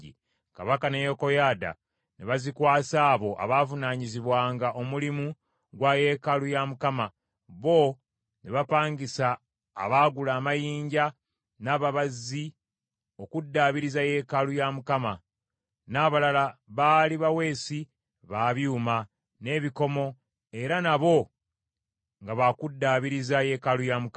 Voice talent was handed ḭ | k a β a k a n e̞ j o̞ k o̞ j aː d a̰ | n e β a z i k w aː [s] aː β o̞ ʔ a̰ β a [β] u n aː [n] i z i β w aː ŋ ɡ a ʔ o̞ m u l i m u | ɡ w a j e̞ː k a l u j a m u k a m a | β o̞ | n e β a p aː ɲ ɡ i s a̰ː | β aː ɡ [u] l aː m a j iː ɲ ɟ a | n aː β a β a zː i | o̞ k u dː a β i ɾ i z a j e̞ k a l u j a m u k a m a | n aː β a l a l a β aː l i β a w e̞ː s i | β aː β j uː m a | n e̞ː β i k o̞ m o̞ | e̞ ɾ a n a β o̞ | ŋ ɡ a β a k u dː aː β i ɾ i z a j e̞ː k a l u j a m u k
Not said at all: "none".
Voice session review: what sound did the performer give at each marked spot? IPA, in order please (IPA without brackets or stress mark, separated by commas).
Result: s, v, ɲ, u